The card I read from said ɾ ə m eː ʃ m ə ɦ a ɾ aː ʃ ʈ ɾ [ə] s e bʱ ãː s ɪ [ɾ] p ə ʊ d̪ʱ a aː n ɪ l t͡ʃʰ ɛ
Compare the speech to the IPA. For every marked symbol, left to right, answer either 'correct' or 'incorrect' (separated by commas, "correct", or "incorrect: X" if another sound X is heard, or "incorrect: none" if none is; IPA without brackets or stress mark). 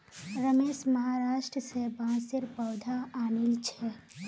correct, correct